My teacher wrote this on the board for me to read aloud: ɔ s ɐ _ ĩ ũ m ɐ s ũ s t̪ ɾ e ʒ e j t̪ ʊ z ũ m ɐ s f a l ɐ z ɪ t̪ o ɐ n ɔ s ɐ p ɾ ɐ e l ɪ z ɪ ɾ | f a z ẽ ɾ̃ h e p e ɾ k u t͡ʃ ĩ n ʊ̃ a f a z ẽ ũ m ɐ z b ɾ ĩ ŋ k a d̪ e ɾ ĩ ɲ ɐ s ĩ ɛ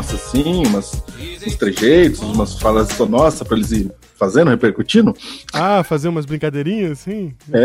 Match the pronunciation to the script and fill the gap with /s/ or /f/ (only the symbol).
s